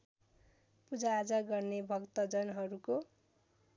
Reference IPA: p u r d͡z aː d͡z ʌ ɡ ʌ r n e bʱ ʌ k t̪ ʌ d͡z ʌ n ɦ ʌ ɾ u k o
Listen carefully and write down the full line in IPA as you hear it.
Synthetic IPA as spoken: p u d͡z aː d͡z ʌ ɡ ʌ r n e bʱ ʌ k t̪ ʌ d͡z ʌ n ɦ ʌ ɾ u k o